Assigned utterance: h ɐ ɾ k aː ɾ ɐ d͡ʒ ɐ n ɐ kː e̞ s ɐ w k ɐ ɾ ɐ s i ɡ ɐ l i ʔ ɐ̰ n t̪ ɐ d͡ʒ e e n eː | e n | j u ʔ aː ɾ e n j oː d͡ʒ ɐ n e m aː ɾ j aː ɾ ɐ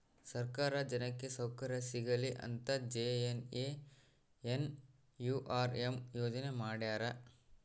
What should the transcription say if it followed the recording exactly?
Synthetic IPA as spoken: s ɐ ɾ k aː ɾ ɐ d͡ʒ ɐ n ɐ kː e̞ s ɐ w k ɐ ɾ ɐ s i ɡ ɐ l i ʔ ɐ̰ n t̪ ɐ d͡ʒ e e n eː | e n | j u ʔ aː ɾ e m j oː d͡ʒ ɐ n e m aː ɽ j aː ɾ ɐ